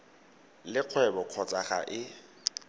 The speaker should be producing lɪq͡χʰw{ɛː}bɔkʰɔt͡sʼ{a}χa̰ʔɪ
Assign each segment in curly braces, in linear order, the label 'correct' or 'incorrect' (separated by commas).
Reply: incorrect, correct